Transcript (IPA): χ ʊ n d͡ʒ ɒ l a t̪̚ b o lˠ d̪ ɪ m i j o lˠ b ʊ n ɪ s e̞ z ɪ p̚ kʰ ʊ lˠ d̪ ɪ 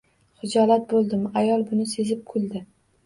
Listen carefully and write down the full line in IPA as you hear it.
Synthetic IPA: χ ʊ d͡ʒ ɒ l a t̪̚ b o lˠ d̪ ɪ m a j ɒ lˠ b ʊ n ɪ s e̞ z ɪ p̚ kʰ ʊ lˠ d̪ ɪ